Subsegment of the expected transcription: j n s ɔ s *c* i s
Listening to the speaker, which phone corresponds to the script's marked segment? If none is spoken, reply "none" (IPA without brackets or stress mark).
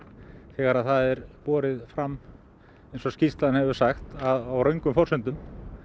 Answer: c